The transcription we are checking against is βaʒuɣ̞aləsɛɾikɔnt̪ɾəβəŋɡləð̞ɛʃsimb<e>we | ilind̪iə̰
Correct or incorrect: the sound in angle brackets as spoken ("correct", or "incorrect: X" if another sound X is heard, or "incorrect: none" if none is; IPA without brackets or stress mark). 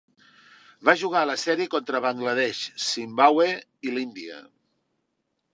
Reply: incorrect: a